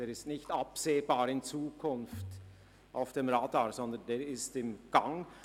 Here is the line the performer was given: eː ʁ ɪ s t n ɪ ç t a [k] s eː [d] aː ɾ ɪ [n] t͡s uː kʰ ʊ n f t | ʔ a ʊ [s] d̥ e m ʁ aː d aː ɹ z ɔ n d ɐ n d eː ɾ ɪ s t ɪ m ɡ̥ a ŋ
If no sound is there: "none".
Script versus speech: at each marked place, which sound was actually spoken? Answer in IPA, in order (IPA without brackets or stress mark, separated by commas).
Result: p, b, n, f